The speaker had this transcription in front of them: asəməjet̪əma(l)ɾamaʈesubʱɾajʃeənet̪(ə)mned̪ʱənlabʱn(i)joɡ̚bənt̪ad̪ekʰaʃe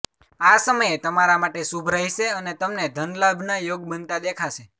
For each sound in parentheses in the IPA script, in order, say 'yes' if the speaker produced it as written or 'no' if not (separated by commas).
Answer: no, yes, no